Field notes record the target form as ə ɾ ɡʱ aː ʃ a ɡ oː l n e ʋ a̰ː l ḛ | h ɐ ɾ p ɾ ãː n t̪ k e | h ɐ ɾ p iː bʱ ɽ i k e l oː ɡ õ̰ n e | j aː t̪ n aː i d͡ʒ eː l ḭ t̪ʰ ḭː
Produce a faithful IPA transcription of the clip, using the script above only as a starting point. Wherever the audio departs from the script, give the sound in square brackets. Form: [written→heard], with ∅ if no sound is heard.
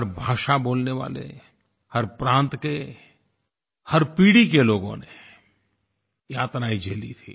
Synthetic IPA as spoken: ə ɾ [ɡʱ→bʱ] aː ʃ a [ɡ→b] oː l n e ʋ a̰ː l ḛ | h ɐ ɾ p ɾ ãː n t̪ k e | h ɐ ɾ p iː [bʱ→∅] ɽ i k e l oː ɡ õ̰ n e | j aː t̪ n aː i d͡ʒ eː l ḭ t̪ʰ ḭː